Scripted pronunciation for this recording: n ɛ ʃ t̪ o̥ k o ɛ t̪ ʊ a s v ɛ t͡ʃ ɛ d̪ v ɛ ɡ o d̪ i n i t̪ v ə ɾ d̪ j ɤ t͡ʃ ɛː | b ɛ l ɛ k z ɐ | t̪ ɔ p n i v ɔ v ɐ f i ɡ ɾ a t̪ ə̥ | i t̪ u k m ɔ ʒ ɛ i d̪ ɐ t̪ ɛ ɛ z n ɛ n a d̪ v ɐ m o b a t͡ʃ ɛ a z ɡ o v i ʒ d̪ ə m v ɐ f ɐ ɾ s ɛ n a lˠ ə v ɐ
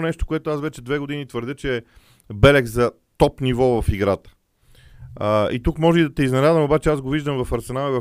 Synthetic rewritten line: n ɛ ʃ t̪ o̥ k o ɛ t̪ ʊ a s v ɛ t͡ʃ ɛ d̪ v ɛ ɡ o d̪ i n i t̪ v ə ɾ d̪ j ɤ t͡ʃ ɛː | b ɛ l ɛ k z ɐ | t̪ ɔ p n i v ɔ v ɐ f i ɡ ɾ a t̪ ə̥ | i t̪ u k m ɔ ʒ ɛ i d̪ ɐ t̪ ɛ i z n ɛ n a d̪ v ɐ m o b a t͡ʃ ɛ a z ɡ o v i ʒ d̪ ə m v ɐ f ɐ ɾ s ɛ n a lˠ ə v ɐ